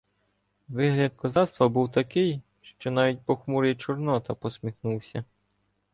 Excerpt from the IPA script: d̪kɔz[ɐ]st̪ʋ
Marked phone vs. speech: incorrect: ɑ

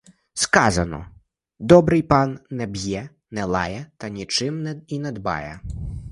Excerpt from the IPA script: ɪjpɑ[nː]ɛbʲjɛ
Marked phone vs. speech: correct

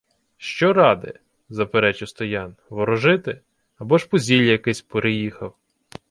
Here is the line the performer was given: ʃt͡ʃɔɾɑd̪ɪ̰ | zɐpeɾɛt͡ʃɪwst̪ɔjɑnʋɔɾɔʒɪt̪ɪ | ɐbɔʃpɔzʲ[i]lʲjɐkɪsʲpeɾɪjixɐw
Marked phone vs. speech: correct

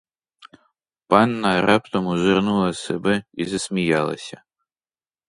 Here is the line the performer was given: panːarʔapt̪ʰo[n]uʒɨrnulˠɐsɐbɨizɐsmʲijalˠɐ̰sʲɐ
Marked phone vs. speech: incorrect: m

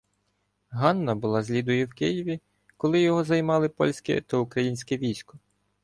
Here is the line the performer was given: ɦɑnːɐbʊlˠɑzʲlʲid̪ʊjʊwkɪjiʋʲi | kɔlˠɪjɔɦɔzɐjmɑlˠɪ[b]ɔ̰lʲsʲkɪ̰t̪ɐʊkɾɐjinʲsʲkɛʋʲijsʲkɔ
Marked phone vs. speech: incorrect: p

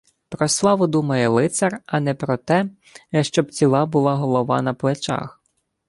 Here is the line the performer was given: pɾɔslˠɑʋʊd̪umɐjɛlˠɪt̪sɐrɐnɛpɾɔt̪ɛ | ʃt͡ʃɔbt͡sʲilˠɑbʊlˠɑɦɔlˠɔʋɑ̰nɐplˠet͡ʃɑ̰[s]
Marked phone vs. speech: incorrect: x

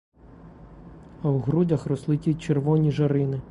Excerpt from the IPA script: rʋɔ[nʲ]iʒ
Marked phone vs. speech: correct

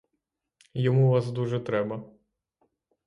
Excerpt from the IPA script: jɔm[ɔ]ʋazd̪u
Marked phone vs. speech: incorrect: u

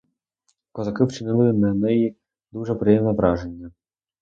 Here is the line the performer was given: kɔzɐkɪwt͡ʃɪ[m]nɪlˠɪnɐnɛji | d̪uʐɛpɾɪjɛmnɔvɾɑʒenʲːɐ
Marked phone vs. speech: incorrect: none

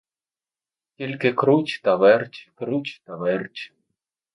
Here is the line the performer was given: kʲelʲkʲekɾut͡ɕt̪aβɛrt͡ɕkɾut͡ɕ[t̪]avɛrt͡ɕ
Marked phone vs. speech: correct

